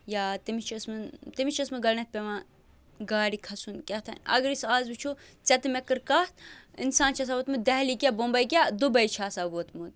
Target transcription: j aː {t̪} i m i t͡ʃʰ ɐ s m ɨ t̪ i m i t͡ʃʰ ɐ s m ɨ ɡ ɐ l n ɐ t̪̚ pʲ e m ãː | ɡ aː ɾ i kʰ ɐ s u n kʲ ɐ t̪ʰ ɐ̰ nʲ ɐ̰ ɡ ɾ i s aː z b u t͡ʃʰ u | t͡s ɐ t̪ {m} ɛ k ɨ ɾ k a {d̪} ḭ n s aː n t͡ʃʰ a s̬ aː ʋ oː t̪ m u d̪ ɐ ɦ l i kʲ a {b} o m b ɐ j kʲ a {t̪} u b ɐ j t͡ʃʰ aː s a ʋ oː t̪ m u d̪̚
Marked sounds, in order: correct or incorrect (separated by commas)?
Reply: correct, correct, incorrect, correct, incorrect